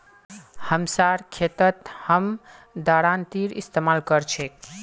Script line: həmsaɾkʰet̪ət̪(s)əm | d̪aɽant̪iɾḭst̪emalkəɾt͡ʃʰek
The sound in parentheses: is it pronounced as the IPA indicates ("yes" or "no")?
no